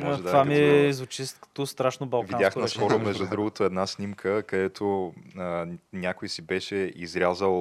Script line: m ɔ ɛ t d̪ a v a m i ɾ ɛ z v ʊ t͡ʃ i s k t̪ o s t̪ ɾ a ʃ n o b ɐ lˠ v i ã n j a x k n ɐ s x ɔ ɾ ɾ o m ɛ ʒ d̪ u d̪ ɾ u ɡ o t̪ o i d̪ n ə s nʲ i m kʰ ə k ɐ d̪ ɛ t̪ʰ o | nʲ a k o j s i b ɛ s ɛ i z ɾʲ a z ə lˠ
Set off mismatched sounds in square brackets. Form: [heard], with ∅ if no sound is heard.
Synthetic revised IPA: m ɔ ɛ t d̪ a v a m i [∅] ɛ z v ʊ t͡ʃ i s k t̪ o s t̪ ɾ a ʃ n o b ɐ lˠ v i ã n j a x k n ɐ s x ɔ ɾ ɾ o m ɛ ʒ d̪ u d̪ ɾ u ɡ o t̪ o [ɛ] d̪ n [a] s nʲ i m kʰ ə k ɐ d̪ ɛ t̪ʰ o | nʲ a k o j s i b ɛ [ʃ] ɛ i z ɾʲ a z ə lˠ